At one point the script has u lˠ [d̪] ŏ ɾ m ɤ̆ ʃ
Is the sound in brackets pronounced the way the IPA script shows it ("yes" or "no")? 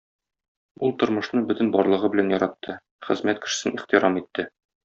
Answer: no